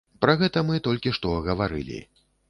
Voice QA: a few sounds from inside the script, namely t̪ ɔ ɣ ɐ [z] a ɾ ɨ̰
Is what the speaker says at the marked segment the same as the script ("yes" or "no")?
no